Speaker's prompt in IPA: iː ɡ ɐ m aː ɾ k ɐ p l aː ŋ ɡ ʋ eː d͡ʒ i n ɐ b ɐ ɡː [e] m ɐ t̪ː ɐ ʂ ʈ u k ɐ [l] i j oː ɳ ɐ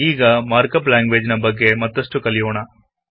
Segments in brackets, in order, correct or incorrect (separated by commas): correct, correct